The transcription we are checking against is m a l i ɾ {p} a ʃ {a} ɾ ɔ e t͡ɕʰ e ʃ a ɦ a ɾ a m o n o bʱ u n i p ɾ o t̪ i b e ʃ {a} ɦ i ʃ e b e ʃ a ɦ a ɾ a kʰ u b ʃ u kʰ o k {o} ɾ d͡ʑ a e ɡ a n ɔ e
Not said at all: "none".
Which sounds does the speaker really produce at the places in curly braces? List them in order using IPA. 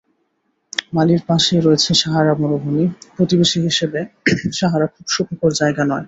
p, e, i, o

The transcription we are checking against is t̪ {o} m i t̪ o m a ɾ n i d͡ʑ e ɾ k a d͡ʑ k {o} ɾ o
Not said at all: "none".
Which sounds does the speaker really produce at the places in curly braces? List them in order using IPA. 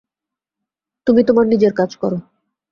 u, ɔ

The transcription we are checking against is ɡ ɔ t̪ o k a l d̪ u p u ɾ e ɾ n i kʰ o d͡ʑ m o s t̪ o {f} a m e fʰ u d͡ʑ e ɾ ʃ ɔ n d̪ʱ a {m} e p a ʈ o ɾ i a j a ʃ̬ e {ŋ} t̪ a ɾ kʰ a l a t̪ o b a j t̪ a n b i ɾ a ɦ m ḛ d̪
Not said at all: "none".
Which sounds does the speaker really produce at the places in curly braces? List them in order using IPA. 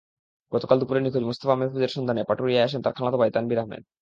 f, n, n

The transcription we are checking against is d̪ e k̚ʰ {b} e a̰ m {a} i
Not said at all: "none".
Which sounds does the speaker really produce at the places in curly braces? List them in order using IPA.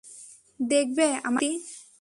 b, a

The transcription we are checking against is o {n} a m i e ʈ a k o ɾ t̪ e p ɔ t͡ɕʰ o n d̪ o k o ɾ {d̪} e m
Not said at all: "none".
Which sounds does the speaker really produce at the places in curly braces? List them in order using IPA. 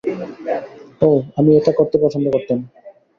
none, t̪

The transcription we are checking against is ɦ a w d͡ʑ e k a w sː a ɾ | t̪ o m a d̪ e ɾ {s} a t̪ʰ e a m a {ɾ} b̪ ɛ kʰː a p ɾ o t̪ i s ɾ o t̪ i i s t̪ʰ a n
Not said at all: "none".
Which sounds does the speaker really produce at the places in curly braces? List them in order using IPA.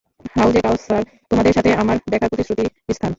ʃ, ɾ

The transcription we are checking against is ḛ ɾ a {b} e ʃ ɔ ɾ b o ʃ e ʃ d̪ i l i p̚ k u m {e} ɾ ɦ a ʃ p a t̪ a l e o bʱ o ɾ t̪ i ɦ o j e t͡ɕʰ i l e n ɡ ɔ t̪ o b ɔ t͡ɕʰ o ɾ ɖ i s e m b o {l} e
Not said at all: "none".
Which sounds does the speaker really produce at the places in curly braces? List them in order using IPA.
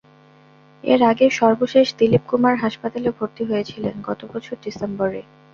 ɡ, a, ɾ

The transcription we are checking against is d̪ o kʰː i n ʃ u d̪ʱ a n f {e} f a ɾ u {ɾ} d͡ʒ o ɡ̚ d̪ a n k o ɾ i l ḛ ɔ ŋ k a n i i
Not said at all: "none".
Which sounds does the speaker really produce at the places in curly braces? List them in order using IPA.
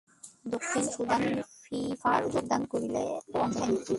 i, none

